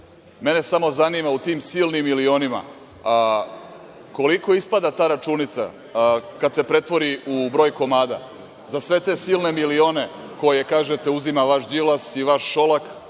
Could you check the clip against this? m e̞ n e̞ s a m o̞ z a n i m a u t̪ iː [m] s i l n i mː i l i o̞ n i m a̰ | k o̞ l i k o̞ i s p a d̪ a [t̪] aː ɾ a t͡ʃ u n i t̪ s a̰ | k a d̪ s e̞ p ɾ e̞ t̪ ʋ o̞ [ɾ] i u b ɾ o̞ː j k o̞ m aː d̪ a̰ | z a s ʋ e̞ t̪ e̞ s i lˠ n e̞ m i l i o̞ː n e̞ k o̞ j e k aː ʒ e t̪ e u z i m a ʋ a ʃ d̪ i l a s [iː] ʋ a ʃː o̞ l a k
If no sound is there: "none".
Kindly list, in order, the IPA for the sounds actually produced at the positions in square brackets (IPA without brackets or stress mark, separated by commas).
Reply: m, t̪, ɾ, i